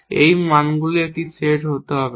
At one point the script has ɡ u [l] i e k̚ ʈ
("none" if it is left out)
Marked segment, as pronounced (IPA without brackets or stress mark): l